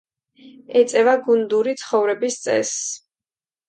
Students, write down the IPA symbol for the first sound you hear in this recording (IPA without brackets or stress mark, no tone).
ɛ